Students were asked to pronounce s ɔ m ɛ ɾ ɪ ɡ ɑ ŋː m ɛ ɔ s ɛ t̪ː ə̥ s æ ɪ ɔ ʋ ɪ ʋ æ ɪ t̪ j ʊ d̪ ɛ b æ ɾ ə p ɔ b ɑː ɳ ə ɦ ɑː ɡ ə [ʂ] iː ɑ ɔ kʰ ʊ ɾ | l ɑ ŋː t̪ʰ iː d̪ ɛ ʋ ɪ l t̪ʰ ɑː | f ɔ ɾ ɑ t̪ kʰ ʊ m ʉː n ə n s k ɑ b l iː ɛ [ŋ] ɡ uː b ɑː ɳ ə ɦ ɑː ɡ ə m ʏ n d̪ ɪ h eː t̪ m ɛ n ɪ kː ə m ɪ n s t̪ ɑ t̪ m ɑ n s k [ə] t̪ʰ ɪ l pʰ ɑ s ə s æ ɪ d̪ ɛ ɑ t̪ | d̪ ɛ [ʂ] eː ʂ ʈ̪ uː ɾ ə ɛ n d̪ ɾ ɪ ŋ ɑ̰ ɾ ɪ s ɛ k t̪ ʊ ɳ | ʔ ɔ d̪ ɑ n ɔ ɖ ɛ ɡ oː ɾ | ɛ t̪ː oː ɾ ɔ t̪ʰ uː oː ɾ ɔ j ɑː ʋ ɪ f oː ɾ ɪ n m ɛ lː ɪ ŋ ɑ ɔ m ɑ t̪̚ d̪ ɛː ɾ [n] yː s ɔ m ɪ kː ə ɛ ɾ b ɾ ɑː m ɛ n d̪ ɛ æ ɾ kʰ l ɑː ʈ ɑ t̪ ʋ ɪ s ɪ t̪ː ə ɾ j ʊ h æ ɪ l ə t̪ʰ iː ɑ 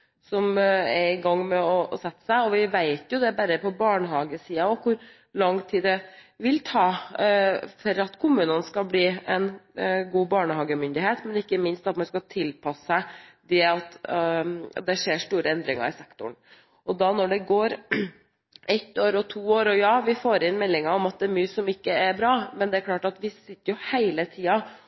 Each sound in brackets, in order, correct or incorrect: incorrect: s, incorrect: n, incorrect: ɑ, correct, incorrect: m

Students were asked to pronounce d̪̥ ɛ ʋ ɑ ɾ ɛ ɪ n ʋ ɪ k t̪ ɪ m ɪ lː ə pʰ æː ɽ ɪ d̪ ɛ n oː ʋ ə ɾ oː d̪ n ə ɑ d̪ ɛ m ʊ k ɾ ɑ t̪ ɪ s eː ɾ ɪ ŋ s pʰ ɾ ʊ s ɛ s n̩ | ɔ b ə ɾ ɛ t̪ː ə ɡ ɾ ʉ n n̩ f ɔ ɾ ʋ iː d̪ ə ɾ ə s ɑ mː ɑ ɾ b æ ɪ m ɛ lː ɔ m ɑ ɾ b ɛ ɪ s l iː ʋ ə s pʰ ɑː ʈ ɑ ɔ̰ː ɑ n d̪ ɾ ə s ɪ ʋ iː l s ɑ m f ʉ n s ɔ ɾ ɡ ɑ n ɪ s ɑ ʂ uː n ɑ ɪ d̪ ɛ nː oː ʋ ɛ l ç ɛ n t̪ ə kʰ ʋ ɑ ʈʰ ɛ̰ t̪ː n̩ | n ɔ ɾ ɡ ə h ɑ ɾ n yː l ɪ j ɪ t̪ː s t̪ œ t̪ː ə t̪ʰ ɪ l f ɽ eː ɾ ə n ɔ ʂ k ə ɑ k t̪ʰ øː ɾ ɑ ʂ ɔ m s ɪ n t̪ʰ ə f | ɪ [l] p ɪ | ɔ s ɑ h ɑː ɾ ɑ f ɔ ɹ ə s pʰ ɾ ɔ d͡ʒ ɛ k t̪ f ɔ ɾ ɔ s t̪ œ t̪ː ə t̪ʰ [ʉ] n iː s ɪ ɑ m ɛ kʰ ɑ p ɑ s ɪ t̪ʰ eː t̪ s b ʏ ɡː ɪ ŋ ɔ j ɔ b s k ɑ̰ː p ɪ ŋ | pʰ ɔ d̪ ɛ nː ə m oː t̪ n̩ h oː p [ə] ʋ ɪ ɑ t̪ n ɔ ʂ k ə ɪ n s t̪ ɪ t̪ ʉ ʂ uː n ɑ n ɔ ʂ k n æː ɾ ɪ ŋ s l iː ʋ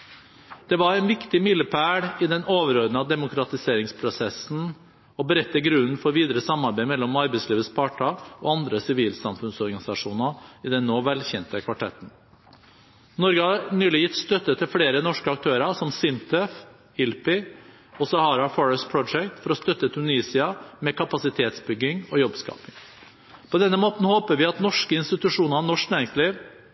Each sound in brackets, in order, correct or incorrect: correct, correct, correct

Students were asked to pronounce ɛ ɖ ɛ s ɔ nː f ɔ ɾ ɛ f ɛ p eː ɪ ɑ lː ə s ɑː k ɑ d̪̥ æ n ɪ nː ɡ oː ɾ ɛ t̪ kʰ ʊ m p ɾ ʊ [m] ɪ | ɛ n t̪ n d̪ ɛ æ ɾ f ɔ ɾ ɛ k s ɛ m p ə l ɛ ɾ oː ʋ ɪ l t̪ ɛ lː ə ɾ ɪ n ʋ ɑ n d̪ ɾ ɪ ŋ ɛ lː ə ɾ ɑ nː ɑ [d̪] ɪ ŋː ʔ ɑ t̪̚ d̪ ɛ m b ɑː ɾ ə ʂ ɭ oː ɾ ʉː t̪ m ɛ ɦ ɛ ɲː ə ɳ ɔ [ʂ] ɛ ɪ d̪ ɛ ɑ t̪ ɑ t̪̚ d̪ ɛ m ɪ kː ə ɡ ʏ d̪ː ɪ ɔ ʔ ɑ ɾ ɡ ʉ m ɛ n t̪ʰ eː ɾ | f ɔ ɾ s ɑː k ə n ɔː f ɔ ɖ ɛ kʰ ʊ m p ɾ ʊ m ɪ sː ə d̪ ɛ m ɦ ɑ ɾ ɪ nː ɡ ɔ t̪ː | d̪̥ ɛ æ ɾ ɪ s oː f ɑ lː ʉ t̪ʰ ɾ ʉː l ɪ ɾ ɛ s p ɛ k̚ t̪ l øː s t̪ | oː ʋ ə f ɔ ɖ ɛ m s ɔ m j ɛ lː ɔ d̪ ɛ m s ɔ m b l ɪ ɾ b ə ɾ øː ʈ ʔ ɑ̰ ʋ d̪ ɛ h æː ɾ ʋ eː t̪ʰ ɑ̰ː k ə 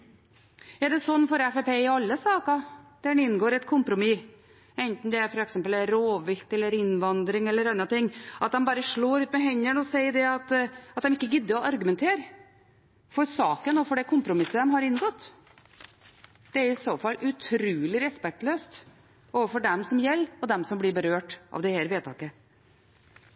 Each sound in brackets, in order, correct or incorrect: correct, incorrect: t̪, incorrect: s

